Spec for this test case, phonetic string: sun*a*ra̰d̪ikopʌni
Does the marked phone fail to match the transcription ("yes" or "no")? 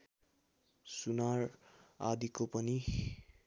no